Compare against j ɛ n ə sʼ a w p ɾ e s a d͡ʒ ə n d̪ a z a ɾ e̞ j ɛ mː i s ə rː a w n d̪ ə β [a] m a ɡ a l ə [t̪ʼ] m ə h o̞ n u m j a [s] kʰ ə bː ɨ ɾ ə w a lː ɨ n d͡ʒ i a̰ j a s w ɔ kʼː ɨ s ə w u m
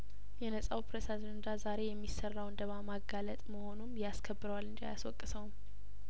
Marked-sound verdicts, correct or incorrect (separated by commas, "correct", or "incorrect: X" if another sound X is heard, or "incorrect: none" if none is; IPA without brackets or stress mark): correct, correct, correct